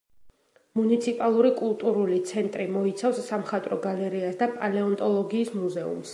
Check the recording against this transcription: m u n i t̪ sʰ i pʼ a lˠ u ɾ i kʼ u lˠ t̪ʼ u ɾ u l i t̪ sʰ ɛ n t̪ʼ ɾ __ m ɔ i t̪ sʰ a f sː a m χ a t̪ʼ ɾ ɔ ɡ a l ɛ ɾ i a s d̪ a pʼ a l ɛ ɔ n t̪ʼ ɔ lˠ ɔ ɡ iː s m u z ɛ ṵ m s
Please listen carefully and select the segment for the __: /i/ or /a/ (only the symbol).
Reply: i